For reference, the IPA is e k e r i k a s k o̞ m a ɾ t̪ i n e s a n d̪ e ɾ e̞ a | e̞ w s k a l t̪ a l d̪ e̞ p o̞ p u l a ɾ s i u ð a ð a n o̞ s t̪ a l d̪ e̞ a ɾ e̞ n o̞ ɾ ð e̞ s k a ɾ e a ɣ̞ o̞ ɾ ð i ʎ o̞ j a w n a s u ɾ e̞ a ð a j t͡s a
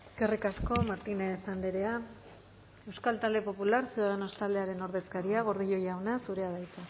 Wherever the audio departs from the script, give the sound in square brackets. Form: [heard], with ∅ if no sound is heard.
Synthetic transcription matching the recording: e k e r i k a s k o̞ m a ɾ t̪ i n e s a n d̪ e ɾ e̞ a | e̞ w s k a l t̪ a l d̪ e̞ p o̞ p u l a ɾ s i u ð a ð [e] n o̞ s t̪ a l d̪ e̞ a ɾ e̞ n o̞ ɾ ð e̞ s k a ɾ [i] a ɣ̞ o̞ ɾ ð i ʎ o̞ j a w n a s u ɾ e̞ a ð a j t͡s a